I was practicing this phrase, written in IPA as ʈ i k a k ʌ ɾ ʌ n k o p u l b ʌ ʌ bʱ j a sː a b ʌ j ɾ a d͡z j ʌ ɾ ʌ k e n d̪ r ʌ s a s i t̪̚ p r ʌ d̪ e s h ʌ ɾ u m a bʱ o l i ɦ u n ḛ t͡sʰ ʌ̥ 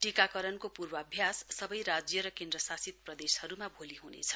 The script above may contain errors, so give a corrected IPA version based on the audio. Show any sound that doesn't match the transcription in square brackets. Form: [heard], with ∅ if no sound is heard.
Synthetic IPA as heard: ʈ i k a k ʌ ɾ ʌ n k o p u [r] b ʌ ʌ bʱ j a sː [ʌ] b ʌ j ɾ a d͡z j ʌ ɾ ʌ k e n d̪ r ʌ s a s i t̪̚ p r ʌ d̪ e s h ʌ ɾ u m a bʱ o l i ɦ u n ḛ t͡sʰ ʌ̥